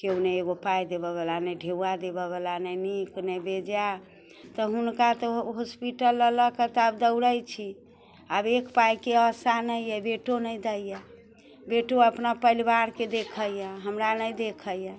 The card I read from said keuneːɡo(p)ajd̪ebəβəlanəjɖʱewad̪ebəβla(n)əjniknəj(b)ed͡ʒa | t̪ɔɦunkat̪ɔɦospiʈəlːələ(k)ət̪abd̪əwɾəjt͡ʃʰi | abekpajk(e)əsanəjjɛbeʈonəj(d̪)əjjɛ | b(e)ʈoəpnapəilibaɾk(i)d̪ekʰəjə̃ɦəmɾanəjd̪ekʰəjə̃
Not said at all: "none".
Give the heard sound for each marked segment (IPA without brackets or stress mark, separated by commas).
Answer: p, n, b, k, e, d̪, e, e